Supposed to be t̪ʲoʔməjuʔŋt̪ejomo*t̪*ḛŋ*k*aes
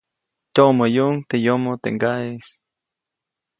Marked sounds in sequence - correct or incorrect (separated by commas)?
correct, incorrect